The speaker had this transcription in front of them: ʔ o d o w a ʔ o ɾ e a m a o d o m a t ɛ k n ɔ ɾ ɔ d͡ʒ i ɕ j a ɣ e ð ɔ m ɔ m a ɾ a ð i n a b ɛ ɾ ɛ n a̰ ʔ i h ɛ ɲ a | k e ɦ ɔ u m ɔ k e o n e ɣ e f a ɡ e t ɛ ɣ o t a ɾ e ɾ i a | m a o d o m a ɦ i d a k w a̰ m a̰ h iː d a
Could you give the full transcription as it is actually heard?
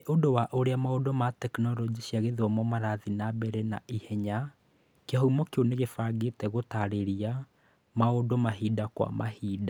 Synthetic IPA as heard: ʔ o d o w a ʔ o ɾ e a m a o d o m a t ɛ k n ɔ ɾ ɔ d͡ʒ i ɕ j a ɣ e ð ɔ m ɔ m a ɾ a ð i n a b ɛ ɾ ɛ n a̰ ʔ i h ɛ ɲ a | k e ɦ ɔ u m ɔ k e o n e ɣ e f a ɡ e t ɛ ɣ o t a ɾ e ɾ i a | m a o d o m a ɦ i d a k w a̰ m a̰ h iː d a